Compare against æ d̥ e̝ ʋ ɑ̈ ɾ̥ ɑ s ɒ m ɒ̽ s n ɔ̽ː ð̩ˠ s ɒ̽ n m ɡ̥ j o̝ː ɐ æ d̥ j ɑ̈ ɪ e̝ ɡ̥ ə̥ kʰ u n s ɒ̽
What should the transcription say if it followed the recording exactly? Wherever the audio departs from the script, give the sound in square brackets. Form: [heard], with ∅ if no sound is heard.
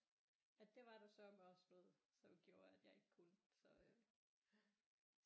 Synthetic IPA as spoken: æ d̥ e̝ ʋ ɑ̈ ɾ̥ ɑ s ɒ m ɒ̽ s n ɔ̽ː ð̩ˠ s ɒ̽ [∅] m ɡ̥ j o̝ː ɐ æ d̥ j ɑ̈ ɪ e̝ ɡ̥ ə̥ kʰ u n s ɒ̽